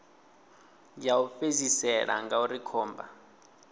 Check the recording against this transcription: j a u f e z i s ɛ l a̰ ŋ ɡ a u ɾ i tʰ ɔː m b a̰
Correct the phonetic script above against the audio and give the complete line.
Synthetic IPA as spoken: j a u f e z i s ɛ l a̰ ŋ ɡ a u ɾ i kʰ ɔː m b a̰